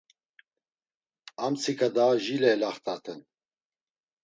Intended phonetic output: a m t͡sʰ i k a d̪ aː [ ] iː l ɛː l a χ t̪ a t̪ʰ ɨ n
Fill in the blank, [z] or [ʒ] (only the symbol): ʒ